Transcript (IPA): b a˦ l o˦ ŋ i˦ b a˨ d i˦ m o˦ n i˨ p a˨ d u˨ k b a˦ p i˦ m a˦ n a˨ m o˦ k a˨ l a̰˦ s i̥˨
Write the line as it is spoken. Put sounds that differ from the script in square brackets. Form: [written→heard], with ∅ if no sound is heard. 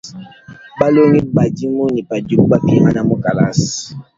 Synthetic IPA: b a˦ l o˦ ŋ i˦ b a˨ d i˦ m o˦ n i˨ p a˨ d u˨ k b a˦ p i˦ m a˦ n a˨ m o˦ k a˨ l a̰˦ s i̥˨